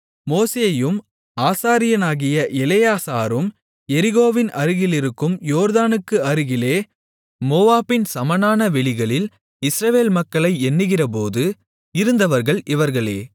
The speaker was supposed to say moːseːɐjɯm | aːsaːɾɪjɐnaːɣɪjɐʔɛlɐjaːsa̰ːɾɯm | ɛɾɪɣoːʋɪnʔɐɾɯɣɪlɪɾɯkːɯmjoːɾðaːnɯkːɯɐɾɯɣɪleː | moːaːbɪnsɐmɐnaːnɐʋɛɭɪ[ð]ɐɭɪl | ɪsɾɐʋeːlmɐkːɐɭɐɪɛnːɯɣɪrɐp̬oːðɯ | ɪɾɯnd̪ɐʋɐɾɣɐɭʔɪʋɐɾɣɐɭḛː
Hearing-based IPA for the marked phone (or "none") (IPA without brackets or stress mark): ɣ